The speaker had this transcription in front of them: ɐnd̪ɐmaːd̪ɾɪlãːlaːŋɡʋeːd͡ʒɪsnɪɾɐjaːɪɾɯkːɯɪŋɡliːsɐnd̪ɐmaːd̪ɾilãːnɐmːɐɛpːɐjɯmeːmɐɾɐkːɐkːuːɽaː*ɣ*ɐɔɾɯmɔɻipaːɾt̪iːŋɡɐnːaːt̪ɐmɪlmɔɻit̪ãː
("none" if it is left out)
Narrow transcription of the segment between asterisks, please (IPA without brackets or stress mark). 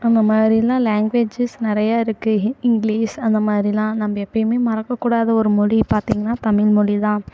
ð